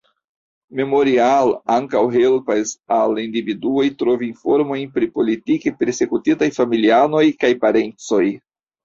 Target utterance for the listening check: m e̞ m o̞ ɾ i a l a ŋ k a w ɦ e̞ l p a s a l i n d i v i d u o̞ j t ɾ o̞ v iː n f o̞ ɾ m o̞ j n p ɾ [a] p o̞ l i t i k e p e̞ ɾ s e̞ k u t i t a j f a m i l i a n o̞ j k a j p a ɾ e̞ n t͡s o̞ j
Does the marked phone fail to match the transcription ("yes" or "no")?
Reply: yes